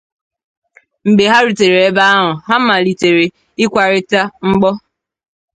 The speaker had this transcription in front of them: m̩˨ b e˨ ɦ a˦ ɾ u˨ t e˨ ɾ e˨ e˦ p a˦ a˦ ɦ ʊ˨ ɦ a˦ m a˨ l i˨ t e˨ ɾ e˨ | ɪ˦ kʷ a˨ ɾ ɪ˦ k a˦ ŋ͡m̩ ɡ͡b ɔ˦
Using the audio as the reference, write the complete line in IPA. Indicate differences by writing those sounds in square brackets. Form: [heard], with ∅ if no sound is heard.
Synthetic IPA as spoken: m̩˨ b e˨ ɦ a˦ ɾ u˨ t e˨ ɾ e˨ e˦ [b] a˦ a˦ ɦ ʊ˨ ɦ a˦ m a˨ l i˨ t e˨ ɾ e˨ | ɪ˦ kʷ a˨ ɾ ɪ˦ [t] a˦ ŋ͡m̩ ɡ͡b ɔ˦

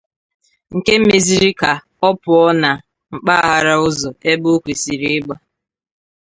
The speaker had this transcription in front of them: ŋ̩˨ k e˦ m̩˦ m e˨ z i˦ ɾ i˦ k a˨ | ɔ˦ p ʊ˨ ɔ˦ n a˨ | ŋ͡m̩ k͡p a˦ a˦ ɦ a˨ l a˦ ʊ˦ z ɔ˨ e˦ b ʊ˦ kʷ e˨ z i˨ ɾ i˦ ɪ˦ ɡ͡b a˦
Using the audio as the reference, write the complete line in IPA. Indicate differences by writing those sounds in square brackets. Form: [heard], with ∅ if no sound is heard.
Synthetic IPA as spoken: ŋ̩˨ k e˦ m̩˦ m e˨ z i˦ ɾ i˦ k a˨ | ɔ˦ p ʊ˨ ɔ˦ n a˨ | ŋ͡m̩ k͡p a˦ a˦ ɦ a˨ [ɾ] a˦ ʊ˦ z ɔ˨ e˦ b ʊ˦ kʷ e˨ [s] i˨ ɾ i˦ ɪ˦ ɡ͡b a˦

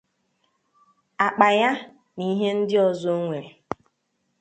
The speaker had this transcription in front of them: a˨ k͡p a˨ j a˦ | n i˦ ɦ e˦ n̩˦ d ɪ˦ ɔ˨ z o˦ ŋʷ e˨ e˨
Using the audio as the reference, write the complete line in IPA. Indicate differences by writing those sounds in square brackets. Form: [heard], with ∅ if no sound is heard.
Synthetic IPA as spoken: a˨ k͡p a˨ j a˦ | n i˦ ɦ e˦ n̩˦ d ɪ˦ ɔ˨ z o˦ ŋʷ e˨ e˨

